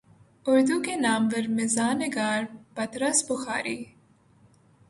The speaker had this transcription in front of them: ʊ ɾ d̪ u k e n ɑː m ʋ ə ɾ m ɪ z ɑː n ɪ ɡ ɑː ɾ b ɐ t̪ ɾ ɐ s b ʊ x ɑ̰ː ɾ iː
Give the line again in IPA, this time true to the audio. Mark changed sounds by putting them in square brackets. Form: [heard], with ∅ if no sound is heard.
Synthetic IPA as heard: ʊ ɾ d̪ u k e n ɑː m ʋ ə ɾ m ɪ z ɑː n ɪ ɡ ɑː ɾ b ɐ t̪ ɾ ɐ s b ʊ x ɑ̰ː ɾ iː